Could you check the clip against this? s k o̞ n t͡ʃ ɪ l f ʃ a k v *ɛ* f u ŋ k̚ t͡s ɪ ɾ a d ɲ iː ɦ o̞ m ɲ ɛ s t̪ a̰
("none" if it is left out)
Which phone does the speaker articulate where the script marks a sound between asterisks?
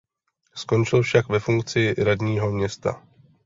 ɛ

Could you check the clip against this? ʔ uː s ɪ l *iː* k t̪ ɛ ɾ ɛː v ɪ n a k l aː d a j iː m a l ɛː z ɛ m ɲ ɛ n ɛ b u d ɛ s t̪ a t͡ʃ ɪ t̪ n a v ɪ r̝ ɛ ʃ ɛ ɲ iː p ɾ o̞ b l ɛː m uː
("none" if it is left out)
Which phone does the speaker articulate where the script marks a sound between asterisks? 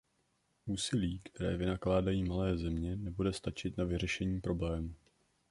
iː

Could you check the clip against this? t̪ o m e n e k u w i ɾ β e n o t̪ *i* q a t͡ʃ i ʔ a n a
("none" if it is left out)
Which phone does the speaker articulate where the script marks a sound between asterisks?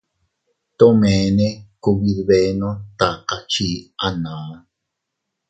a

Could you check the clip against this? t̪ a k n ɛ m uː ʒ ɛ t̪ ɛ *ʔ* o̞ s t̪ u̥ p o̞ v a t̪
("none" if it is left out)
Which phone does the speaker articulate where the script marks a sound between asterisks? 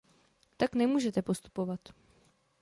p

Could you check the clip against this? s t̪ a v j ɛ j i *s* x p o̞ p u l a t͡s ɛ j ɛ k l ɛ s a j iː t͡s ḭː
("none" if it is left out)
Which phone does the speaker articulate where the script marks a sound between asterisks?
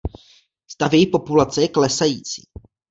none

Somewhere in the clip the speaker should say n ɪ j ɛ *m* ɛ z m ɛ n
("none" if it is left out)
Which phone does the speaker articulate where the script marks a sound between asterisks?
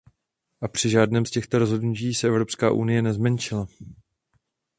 n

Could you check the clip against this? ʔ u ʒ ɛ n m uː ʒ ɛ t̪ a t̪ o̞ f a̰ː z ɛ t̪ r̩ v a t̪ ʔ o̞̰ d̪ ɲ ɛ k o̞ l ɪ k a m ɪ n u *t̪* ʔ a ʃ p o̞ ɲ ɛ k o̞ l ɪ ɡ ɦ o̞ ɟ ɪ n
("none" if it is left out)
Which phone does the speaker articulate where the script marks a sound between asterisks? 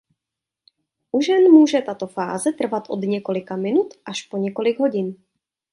t̪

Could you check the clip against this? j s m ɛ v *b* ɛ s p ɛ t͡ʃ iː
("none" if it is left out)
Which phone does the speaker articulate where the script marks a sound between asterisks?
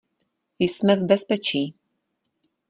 b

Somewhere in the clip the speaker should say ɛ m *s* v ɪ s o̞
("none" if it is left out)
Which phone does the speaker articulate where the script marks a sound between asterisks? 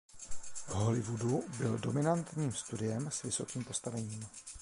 s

